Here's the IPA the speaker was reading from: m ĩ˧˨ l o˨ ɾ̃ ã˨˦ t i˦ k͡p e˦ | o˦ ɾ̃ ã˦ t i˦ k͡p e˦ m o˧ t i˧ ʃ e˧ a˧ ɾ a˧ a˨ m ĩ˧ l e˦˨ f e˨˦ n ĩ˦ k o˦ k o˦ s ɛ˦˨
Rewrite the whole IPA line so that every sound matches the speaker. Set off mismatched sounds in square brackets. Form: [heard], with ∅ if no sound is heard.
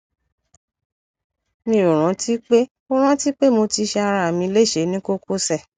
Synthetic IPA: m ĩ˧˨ [ɾ] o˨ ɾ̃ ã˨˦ t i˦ k͡p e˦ | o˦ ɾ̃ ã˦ t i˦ k͡p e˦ m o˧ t i˧ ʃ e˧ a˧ ɾ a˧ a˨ m ĩ˧ l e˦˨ [ʃ] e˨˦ n ĩ˦ k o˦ k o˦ s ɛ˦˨